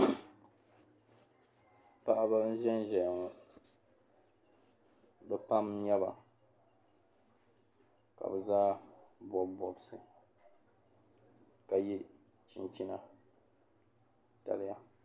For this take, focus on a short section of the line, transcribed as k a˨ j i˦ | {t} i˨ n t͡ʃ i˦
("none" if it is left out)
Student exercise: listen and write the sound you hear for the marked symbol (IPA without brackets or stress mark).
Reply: t͡ʃ